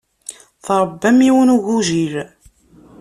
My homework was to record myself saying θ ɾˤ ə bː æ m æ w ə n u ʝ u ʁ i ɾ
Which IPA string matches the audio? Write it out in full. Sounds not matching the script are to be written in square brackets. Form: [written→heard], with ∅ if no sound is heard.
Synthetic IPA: θ ɾˤ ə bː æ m [æ→i] w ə n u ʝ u [ʁ→ʒ] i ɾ